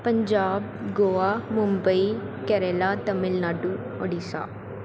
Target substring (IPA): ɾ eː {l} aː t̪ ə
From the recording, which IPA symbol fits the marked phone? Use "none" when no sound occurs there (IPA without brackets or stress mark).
l